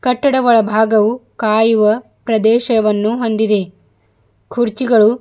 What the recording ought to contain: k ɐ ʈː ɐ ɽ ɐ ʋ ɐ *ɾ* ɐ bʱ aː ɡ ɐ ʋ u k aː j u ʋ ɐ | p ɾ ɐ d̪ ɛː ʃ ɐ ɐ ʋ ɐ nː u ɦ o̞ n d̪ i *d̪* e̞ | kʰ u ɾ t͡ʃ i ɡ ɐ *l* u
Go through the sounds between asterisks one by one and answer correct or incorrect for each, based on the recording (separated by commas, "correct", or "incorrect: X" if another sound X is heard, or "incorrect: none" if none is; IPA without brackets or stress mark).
incorrect: ɭ, correct, incorrect: ɭ